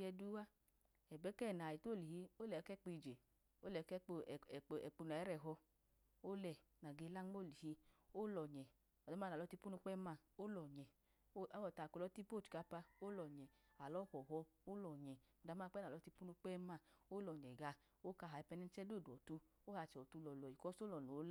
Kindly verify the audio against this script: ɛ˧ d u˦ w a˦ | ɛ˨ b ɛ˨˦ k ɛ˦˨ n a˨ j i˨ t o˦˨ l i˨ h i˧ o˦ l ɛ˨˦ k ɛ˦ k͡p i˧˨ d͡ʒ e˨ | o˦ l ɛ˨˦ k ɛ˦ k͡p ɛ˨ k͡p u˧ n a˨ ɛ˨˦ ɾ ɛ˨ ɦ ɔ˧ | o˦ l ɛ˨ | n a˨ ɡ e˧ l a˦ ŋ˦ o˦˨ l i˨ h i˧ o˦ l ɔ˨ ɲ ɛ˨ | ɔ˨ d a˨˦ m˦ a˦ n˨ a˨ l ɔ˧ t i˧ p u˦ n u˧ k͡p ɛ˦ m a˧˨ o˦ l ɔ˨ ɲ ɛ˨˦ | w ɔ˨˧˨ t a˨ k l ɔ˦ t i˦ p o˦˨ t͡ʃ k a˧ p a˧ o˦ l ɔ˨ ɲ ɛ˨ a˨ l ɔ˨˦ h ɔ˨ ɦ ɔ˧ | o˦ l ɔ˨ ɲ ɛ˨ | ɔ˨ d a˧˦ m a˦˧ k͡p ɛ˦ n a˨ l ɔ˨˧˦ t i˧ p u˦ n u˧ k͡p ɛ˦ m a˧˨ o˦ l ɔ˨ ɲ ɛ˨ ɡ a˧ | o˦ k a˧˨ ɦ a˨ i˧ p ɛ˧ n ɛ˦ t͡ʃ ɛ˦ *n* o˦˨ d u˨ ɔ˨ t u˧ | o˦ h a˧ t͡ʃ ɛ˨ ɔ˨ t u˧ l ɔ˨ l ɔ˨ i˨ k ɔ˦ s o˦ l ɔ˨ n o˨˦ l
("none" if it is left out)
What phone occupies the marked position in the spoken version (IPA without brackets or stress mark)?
d